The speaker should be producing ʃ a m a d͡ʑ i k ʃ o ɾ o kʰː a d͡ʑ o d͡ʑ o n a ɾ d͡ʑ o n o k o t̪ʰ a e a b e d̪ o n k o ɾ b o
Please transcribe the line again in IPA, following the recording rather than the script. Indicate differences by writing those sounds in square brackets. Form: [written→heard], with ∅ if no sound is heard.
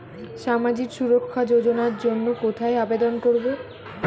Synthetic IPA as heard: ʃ a m a d͡ʑ i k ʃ [o→u] ɾ o kʰː a d͡ʑ o d͡ʑ o n a ɾ d͡ʑ o [n→nː] o k o t̪ʰ a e a b e d̪ o n k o ɾ b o